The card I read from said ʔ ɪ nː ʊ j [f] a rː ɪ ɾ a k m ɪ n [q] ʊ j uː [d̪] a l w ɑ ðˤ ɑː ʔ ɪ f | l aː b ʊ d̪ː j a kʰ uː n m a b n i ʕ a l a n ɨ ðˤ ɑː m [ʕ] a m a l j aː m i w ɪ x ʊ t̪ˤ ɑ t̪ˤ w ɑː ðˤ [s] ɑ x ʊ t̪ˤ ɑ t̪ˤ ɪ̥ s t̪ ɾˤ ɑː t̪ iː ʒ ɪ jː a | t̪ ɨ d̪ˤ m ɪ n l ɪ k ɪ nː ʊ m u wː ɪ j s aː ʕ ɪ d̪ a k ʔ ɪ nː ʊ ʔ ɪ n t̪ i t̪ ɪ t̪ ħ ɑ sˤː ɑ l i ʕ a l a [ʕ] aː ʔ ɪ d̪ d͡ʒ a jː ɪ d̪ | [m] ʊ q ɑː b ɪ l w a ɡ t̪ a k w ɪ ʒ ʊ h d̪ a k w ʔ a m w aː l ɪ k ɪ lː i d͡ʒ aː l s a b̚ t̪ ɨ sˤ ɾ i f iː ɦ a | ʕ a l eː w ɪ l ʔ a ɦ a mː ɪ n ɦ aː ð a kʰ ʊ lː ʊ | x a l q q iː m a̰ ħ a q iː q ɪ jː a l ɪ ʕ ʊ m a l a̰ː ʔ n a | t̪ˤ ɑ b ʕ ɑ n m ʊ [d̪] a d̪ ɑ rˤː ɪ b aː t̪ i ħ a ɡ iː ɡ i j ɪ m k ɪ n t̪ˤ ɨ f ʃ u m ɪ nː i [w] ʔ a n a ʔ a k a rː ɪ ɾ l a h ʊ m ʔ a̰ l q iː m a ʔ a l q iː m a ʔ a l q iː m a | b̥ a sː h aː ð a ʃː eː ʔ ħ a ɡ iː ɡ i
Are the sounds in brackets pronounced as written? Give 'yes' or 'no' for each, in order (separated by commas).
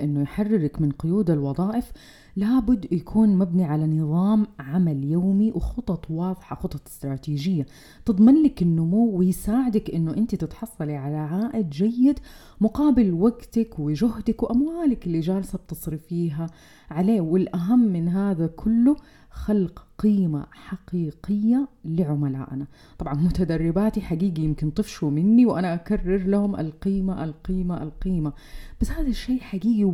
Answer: no, yes, yes, yes, no, yes, yes, no, yes